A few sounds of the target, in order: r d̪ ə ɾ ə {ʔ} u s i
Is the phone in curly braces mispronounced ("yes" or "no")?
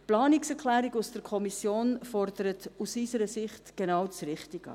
yes